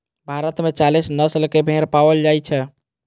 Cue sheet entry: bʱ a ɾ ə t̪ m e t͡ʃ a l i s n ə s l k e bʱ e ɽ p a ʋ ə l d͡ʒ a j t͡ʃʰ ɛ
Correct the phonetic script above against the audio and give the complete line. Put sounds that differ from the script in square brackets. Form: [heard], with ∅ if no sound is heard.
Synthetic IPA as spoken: bʱ a ɾ ə t̪ m e t͡ʃ a l i s n ə s l k e bʱ e [ɾ] p a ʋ ə l d͡ʒ a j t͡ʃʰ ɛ